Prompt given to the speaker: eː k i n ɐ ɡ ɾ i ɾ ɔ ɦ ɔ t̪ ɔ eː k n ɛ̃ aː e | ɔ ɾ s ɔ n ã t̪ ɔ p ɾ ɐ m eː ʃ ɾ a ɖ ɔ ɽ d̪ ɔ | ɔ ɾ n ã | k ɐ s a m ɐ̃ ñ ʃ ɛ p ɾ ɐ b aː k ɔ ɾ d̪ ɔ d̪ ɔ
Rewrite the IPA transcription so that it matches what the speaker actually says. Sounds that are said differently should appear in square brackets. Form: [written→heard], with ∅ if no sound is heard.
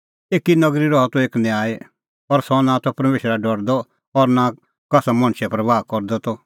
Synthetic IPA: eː k i n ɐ ɡ ɾ i ɾ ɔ ɦ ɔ t̪ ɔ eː k n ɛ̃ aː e | ɔ ɾ s ɔ n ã t̪ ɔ p ɾ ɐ m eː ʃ ɾ a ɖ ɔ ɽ d̪ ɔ | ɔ ɾ n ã | k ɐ s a m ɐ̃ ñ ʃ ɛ p ɾ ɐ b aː k ɔ ɾ d̪ ɔ [d̪→t̪] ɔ